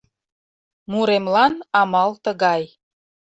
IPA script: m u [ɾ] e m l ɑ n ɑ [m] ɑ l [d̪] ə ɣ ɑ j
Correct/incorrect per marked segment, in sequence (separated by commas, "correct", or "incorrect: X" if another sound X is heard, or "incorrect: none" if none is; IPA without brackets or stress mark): correct, correct, incorrect: t̪